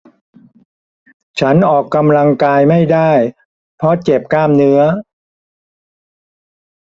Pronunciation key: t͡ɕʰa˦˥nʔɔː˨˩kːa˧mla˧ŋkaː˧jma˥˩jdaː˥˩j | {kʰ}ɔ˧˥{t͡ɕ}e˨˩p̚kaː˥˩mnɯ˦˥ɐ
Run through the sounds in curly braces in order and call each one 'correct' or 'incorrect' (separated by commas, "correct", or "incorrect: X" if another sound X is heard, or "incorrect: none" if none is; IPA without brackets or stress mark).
incorrect: pʰ, correct